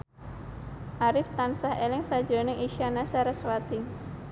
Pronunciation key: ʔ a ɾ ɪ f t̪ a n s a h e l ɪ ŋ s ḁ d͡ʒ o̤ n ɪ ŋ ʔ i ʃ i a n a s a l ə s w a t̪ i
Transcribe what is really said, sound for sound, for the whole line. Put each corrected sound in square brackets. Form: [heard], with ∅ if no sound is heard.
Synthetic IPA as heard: ʔ a ɾ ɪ f t̪ a n s a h e l ɪ ŋ s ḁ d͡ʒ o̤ n ɪ ŋ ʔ i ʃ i a n a s a [ɾ] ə s w a t̪ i